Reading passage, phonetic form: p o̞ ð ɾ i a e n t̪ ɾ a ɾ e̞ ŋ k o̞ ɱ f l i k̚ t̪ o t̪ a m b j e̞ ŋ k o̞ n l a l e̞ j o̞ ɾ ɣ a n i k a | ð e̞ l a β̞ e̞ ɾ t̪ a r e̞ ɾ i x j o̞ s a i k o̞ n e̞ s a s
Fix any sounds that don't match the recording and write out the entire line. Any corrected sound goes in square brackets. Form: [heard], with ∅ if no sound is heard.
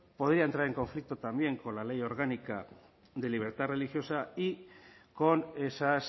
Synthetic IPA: p o̞ ð ɾ i a e n t̪ ɾ a ɾ e̞ ŋ k o̞ ɱ f l i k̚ t̪ o t̪ a m b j e̞ ŋ k o̞ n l a l e̞ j o̞ ɾ ɣ a n i k a | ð e̞ l [i] β̞ e̞ ɾ t̪ a r e̞ [l] i x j o̞ s a i k o̞ n e̞ s a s